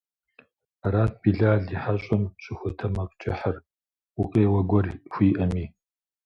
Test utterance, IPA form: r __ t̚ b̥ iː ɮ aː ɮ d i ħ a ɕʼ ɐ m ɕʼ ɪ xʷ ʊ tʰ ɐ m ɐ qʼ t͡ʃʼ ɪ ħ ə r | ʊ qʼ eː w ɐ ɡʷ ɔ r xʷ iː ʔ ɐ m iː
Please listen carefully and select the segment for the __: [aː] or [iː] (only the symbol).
aː